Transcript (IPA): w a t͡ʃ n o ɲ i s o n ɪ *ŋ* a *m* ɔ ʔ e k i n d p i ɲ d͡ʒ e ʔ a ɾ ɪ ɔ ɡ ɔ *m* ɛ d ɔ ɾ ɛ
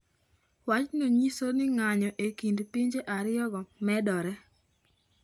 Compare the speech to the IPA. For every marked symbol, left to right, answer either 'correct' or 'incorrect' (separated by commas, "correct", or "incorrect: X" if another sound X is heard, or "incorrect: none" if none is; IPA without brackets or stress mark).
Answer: correct, incorrect: ɲ, correct